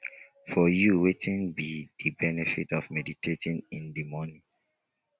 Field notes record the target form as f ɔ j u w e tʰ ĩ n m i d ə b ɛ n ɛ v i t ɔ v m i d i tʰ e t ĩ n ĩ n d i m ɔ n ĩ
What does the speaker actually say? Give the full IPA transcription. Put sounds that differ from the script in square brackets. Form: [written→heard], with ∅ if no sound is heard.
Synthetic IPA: f ɔ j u w e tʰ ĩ n [m→b] i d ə b ɛ n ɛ [v→f] i t ɔ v m [i→ɛ] d i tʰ e t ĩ n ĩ n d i m ɔ n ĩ